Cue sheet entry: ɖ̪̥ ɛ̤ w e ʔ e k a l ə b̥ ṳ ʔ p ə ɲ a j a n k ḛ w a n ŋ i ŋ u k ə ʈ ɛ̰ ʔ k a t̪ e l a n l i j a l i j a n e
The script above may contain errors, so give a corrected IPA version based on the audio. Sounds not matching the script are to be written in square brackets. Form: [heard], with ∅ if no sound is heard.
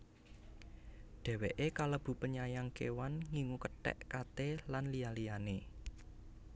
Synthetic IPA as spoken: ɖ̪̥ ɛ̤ w e ʔ e k a l ə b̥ ṳ [∅] p ə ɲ a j a [ŋ] k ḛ w a n ŋ i ŋ u k ə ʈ ɛ̰ ʔ k a t̪ e l a n l i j a l i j a n e